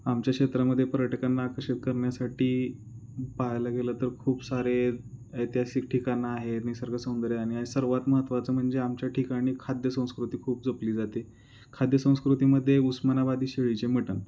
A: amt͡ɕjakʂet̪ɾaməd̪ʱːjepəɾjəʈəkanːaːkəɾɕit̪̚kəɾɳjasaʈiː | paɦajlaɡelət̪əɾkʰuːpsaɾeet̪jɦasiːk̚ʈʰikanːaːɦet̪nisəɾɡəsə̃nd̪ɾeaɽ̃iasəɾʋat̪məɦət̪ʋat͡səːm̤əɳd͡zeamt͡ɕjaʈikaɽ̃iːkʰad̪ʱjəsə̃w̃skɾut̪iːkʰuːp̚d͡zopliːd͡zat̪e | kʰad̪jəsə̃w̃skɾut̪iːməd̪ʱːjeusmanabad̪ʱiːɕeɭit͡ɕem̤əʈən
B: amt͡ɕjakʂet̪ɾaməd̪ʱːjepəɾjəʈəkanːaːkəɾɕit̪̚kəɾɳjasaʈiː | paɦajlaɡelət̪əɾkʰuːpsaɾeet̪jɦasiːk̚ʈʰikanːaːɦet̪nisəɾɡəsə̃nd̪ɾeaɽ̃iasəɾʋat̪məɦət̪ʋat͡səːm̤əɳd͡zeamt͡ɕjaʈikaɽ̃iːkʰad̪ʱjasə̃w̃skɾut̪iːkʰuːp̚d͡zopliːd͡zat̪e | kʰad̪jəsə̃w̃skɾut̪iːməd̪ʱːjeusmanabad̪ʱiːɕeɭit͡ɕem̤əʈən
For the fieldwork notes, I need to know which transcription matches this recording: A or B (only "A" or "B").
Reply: A